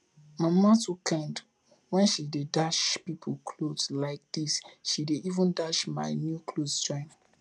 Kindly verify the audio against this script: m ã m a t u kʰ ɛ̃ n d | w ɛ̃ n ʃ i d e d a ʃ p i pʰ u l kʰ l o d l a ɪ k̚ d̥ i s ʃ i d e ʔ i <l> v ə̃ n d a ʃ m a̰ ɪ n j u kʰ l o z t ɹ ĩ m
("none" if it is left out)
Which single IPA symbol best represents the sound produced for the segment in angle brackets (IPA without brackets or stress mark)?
none